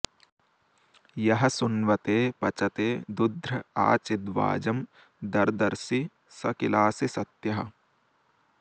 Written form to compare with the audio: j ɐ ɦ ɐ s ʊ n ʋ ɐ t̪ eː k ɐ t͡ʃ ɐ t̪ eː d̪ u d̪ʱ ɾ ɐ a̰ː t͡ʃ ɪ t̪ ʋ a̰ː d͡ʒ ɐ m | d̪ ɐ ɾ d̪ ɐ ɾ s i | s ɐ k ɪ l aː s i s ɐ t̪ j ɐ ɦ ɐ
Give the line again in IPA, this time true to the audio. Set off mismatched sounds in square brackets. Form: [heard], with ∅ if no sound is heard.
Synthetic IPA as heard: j ɐ ɦ ɐ s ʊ n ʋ ɐ t̪ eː [p] ɐ t͡ʃ ɐ t̪ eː d̪ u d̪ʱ ɾ ɐ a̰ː t͡ʃ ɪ [d̪] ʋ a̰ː d͡ʒ ɐ m | d̪ ɐ ɾ d̪ ɐ ɾ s i | s ɐ k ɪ l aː s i s ɐ t̪ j ɐ ɦ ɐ